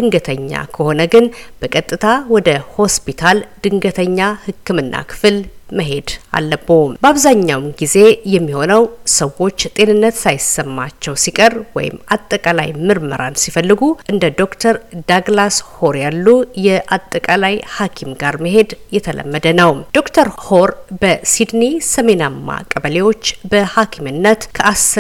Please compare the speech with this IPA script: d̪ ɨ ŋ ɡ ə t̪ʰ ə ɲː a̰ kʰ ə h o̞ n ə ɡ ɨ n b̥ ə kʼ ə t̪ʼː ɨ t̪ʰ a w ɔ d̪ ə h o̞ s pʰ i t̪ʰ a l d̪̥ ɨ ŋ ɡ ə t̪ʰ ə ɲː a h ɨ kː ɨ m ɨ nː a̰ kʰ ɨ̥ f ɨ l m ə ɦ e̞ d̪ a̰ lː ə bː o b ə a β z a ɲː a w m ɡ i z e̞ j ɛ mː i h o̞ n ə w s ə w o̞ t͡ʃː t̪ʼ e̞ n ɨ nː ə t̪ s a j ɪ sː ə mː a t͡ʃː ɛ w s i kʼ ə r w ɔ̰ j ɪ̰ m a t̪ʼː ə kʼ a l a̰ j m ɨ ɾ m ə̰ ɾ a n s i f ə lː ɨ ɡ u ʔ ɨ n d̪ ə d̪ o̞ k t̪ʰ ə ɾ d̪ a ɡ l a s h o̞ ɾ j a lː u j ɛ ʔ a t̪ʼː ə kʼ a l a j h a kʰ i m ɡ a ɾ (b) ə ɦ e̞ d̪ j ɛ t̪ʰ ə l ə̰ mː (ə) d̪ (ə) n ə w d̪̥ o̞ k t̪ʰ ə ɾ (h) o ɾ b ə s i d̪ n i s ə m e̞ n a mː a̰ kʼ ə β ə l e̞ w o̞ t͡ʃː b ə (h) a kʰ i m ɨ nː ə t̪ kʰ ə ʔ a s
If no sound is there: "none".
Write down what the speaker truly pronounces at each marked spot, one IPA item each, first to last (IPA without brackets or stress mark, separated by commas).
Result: m, ə, ə, h, h